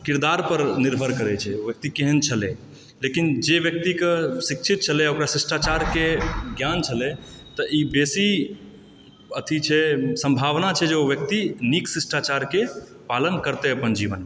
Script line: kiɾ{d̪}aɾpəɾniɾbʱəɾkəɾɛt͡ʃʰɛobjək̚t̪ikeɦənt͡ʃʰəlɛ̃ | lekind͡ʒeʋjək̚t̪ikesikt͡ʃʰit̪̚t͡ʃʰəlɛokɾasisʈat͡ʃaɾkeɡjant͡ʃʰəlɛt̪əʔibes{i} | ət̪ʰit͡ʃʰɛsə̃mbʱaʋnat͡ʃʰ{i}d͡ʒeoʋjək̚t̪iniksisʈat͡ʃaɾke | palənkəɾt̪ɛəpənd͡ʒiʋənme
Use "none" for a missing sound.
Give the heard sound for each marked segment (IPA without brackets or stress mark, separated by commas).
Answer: d̪, i, ɛ